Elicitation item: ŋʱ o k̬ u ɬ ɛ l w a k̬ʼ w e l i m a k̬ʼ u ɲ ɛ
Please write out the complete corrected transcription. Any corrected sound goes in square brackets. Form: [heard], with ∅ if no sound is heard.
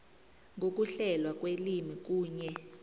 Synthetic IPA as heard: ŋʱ o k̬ u ɬ ɛ l w a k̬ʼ w e l i m [i] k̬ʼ [uː] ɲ ɛ